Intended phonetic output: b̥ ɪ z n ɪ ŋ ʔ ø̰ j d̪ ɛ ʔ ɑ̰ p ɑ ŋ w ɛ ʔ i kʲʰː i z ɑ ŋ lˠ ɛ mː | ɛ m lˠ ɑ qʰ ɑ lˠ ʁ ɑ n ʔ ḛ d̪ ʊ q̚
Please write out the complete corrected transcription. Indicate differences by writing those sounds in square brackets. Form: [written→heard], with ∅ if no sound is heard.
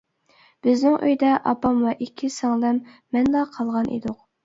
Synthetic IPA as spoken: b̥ ɪ z n ɪ ŋ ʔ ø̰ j d̪ ɛ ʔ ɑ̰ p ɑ [ŋ→m] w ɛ ʔ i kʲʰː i [z→s] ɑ ŋ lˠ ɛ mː | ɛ [m→n] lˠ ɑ qʰ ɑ lˠ ʁ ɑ n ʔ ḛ d̪ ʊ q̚